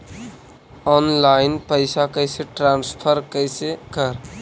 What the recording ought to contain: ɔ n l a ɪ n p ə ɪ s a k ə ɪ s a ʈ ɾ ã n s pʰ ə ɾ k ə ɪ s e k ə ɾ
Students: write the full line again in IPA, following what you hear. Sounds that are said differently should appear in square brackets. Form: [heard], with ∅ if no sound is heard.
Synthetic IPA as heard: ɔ n l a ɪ n p ə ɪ s a k ə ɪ s [e] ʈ ɾ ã n s pʰ ə ɾ k ə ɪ s e k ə ɾ